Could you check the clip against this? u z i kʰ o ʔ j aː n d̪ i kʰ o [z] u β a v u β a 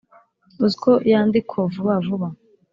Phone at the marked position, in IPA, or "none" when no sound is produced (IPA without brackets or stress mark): v